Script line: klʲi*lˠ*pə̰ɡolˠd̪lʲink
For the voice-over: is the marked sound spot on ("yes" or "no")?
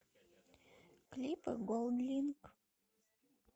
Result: no